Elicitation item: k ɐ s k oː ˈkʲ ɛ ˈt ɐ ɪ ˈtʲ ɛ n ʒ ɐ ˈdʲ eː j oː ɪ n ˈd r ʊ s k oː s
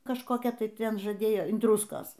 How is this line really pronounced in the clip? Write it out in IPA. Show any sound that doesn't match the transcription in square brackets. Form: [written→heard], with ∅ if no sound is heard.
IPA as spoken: k ɐ [s→ʃ] k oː ˈkʲ ɛ ˈt ɐ ɪ ˈtʲ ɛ n ʒ ɐ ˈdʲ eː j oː ɪ n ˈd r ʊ s k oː s